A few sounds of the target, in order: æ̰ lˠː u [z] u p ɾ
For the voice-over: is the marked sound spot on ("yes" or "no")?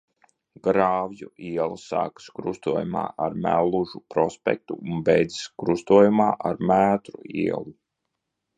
no